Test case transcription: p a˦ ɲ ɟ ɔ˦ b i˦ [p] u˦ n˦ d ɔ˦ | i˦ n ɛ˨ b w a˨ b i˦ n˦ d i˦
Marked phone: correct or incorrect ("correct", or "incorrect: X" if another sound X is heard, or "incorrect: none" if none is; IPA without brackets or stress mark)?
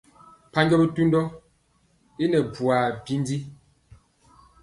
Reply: incorrect: t